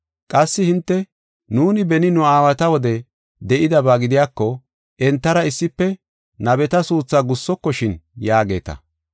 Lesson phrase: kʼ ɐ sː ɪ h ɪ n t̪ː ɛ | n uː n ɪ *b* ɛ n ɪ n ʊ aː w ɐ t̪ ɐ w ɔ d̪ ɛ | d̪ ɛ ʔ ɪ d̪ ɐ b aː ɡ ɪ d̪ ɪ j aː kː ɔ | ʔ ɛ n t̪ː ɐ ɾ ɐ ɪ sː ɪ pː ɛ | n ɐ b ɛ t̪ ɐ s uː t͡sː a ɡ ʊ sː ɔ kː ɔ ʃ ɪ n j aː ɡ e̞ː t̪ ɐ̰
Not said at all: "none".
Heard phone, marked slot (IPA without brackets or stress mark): b